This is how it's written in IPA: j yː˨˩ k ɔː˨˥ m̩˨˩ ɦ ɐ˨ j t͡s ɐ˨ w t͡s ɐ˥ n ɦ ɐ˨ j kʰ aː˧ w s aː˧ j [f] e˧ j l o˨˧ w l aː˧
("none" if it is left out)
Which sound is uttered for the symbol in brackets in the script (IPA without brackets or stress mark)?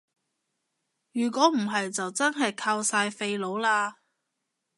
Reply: f